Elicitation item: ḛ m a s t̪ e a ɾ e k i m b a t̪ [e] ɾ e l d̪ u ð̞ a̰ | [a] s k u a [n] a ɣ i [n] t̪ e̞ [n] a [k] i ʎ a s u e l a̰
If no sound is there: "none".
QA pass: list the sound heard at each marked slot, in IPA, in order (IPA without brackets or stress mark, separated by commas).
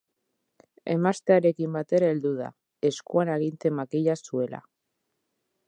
e, e, n, n, m, k